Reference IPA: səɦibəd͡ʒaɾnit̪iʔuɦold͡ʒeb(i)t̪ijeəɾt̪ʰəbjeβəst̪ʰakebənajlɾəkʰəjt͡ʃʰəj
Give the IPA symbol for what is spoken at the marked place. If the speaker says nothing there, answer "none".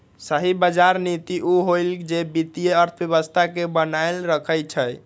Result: i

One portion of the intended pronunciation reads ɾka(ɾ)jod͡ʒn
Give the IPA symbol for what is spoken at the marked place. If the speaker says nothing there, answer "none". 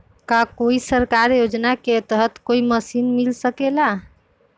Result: ɾ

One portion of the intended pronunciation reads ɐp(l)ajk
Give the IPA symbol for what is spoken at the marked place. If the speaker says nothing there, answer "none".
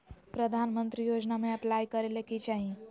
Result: l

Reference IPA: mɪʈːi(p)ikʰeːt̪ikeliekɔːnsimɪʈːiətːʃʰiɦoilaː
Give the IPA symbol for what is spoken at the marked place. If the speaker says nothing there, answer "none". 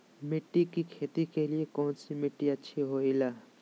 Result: k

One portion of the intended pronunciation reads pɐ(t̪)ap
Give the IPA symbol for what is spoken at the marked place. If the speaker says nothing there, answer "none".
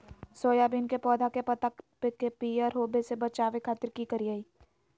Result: t̪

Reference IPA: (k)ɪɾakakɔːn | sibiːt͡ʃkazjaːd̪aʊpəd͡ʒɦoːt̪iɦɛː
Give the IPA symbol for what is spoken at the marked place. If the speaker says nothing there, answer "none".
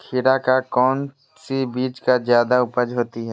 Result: kʰ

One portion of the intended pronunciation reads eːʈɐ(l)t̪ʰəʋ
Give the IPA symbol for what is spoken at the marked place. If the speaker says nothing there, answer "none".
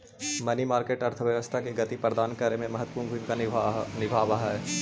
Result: ɾ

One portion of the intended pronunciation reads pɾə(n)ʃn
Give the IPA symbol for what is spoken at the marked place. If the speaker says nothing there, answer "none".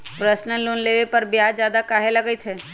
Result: none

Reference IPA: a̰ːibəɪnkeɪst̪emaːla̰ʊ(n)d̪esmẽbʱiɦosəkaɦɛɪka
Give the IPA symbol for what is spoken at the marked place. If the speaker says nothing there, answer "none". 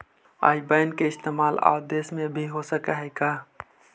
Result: none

